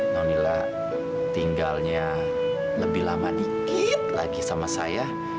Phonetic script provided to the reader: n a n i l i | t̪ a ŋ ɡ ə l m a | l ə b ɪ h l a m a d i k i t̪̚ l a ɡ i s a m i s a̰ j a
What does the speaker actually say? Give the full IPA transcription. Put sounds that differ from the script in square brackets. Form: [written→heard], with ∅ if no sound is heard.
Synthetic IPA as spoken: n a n i l [i→a] | t̪ [a→i] ŋ ɡ [ə→a] l [m→ɲ] a | l ə b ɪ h l a m a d i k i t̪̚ l a ɡ i s a m [i→a] s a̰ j a